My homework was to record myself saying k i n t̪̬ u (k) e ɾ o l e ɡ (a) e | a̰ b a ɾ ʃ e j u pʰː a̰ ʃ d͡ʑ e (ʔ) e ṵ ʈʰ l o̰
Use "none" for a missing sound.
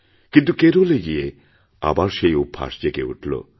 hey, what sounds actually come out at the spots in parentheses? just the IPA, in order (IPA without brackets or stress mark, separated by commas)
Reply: k, i, k